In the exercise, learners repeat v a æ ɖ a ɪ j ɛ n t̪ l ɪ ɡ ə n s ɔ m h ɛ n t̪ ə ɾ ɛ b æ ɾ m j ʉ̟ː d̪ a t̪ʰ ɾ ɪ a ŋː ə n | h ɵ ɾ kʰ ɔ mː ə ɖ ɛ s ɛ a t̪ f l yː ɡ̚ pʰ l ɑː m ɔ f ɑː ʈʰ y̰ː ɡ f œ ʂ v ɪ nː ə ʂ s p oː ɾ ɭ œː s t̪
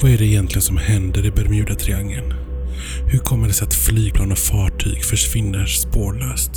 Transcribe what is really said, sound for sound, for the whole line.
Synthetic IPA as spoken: v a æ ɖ ɛ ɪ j ɛ n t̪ l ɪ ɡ ə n s ɔ m h ɛ n d̪ ə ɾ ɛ b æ ɾ m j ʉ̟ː d̪ a t̪ʰ ɾ ɪ a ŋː ə n | h ɵ ɾ kʰ ɔ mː ə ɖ ɛ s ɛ a t̪ f l yː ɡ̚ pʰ l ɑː n ɔ f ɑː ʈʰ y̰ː ɡ f œ ʂ v ɪ nː ə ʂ s p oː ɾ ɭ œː s t̪